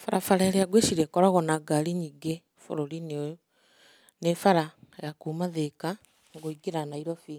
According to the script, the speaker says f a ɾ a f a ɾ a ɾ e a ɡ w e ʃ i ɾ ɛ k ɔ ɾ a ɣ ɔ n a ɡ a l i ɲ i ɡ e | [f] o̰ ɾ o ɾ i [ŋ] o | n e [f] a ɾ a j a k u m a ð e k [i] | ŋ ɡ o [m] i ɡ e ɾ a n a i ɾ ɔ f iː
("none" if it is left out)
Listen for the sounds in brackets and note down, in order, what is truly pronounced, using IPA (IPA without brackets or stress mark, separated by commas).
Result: f, n, f, a, none